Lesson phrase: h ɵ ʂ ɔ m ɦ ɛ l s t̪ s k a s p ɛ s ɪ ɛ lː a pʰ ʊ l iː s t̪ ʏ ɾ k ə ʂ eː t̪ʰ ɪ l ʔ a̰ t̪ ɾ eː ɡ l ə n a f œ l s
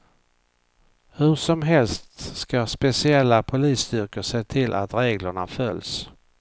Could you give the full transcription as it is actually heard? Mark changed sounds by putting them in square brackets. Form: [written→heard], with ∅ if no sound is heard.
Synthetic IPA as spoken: h ɵ ʂ ɔ m ɦ ɛ l s t̪ s k a s p ɛ s ɪ ɛ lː a pʰ ʊ l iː s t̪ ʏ ɾ k ə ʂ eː t̪ʰ ɪ l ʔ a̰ t̪ ɾ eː ɡ l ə [n→ɳ] a f œ l s